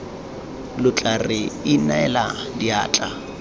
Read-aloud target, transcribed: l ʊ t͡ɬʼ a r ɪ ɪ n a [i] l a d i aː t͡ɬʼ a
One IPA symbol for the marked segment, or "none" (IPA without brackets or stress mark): ɛ